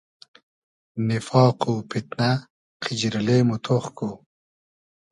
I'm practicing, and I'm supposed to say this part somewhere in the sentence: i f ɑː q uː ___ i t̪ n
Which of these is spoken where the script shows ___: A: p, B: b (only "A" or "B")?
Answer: A